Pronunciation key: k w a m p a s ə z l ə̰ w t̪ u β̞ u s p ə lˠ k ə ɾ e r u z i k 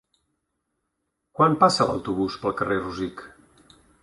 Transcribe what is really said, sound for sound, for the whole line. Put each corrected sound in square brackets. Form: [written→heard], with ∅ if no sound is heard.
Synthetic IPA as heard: k w a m p a s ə [z→∅] l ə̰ w t̪ u β̞ u s p ə lˠ k ə [ɾ→r] e r u z i k